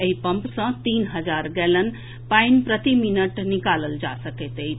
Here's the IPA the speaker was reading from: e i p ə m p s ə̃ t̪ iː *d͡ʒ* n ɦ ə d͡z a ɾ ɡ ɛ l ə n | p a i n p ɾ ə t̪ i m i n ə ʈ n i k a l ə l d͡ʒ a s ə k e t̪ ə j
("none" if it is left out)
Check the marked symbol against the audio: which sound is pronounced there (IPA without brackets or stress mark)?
none